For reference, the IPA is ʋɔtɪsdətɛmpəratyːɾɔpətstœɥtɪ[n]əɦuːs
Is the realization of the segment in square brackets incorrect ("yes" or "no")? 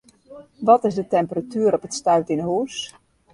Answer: no